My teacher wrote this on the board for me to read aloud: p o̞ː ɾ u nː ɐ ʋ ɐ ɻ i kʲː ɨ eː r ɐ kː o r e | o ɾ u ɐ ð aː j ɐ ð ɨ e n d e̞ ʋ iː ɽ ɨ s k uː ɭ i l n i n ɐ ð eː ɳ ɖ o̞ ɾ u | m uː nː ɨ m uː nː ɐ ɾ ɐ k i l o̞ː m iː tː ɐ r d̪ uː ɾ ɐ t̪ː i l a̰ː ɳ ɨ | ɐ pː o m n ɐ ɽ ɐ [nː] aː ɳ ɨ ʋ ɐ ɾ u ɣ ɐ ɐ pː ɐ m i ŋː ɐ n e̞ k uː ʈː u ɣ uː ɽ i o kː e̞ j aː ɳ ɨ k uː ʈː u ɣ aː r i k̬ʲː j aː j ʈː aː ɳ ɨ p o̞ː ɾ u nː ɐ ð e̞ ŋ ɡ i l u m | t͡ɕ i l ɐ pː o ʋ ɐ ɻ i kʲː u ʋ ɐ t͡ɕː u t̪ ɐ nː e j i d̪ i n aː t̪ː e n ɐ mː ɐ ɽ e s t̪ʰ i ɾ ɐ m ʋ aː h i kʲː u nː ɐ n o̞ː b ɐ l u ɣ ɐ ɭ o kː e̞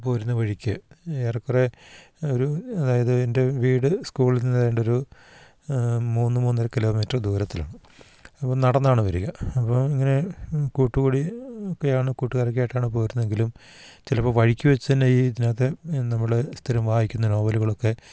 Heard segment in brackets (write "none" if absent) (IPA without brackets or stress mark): nː